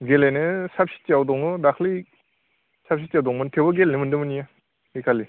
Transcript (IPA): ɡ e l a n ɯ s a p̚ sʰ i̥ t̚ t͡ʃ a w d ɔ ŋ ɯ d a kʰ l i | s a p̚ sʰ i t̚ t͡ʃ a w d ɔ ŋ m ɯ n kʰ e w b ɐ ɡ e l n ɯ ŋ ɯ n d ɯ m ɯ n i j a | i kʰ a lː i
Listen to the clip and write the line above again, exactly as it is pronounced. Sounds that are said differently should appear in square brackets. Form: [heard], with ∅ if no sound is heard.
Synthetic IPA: ɡ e l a n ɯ s a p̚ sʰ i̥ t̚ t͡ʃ a w d ɔ ŋ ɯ d a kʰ l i | s a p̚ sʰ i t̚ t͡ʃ a w d ɔ ŋ m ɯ n [tʰ] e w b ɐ ɡ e l n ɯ [m] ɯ n d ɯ m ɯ n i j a | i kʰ a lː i